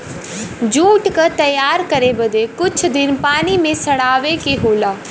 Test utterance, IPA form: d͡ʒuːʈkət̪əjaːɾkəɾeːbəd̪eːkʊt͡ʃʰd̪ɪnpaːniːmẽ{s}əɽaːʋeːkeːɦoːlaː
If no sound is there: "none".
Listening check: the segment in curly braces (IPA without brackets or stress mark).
s